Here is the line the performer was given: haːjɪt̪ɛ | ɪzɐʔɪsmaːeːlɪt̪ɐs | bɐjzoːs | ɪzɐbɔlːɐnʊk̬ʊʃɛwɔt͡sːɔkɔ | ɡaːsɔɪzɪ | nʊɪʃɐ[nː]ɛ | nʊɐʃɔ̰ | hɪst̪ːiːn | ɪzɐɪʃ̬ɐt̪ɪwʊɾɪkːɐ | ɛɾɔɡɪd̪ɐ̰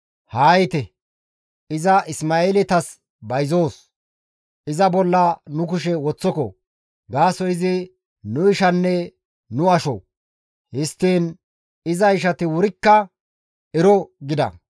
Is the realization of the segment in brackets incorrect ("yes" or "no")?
no